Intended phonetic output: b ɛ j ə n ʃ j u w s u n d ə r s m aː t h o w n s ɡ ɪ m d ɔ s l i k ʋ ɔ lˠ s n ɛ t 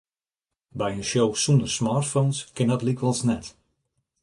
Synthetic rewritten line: b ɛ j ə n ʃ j o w s u n d ə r s m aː t f o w n s k ɪ n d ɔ t l i k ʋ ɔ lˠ s n ɛ t